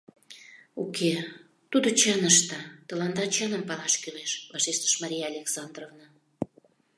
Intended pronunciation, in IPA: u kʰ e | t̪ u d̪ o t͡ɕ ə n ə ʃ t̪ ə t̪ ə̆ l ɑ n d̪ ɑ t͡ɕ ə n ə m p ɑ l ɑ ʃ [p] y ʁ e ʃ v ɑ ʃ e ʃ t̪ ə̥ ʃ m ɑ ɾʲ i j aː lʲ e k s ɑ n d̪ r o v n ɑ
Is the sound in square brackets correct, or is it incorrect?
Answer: incorrect: k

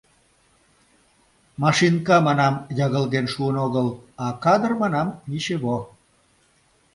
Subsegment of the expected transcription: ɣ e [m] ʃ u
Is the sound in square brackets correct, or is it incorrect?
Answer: incorrect: n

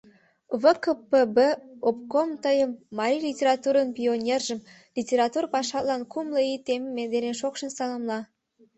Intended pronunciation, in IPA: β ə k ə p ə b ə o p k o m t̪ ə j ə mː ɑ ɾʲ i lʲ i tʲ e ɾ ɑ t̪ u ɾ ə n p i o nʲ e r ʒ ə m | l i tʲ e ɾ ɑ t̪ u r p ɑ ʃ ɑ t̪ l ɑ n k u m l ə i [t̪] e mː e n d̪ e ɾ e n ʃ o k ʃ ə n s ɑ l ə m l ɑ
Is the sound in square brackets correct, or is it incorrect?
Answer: correct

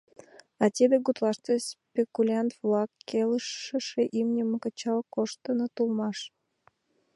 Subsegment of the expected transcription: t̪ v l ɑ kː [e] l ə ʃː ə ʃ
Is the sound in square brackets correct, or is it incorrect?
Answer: correct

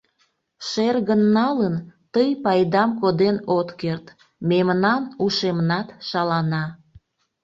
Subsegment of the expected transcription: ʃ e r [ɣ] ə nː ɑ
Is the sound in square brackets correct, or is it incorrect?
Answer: correct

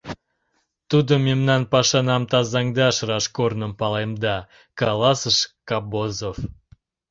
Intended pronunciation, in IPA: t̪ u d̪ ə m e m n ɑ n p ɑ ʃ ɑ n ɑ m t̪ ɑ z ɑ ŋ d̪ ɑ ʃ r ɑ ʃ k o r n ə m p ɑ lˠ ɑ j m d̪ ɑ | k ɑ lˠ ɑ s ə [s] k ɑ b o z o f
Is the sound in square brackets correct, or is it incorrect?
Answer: incorrect: ʃ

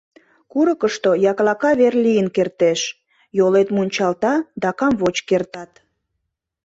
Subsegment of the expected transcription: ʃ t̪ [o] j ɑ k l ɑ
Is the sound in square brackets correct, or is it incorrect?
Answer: correct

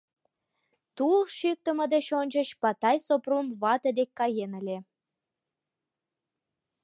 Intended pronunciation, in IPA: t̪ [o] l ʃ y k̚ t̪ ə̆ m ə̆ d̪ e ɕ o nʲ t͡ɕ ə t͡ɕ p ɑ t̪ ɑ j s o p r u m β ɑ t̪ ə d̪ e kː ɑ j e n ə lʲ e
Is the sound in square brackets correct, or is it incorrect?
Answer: incorrect: u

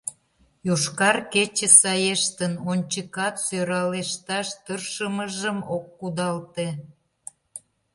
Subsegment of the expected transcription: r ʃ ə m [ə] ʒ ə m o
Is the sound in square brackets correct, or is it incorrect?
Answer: correct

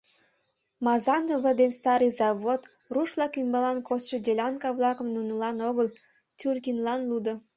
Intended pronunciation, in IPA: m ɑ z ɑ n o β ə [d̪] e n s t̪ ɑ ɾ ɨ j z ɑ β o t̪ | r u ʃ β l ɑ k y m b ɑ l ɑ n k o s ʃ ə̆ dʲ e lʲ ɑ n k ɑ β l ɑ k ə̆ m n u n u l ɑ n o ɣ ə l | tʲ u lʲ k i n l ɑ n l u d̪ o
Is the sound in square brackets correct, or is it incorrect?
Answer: correct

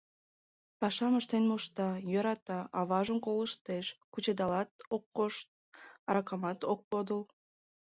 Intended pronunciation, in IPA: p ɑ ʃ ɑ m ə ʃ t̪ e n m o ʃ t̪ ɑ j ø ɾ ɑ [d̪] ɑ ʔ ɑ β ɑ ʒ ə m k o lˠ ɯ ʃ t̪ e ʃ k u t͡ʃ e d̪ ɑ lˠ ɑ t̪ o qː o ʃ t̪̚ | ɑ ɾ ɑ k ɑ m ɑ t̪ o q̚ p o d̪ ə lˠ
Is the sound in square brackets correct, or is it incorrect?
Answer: incorrect: t̪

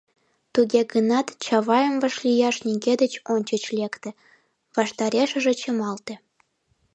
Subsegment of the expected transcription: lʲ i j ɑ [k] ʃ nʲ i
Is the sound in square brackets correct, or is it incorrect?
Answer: incorrect: none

